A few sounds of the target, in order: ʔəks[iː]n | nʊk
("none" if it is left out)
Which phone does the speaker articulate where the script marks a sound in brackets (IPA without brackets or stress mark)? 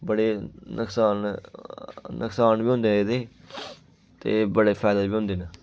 aː